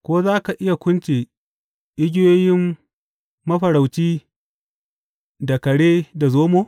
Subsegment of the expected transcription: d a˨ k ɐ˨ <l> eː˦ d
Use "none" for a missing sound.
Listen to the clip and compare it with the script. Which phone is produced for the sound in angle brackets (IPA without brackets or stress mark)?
ɽ